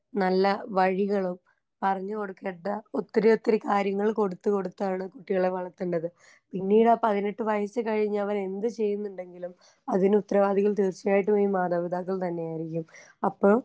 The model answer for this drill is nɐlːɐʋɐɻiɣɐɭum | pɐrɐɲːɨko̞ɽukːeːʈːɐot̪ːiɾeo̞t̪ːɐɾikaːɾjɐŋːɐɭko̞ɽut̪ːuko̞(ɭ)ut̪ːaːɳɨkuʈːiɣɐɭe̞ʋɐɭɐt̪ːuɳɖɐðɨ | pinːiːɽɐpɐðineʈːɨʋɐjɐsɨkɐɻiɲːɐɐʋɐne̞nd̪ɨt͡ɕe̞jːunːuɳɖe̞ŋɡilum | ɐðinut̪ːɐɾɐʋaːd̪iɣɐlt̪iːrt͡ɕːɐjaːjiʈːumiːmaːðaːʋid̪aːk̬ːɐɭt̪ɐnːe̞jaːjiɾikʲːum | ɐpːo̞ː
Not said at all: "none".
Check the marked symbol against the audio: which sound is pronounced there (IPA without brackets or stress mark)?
ɽ